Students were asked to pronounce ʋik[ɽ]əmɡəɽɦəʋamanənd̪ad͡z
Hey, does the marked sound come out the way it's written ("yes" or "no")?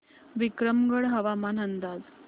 no